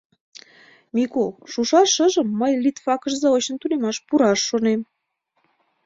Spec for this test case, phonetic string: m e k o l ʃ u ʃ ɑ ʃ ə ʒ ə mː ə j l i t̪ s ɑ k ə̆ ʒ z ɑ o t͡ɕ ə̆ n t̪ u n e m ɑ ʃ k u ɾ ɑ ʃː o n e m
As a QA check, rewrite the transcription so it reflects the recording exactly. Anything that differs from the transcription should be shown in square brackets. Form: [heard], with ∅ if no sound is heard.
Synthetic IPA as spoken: m [i] k o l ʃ u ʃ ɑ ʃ ə ʒ ə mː ə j l i t̪ [f] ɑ k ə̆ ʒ z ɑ o t͡ɕ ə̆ n t̪ u n e m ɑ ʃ [p] u ɾ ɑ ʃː o n e m